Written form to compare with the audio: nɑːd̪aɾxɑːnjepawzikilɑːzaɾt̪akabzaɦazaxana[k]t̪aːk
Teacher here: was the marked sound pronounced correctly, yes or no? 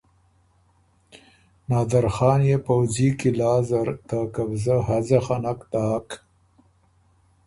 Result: yes